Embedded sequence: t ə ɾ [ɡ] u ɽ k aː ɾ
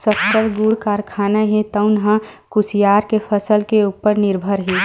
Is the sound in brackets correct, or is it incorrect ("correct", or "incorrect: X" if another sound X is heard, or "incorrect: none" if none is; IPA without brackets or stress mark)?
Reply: correct